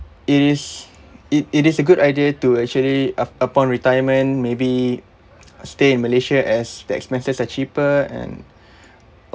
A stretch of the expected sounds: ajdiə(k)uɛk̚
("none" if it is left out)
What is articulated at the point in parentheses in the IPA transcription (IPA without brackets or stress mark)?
t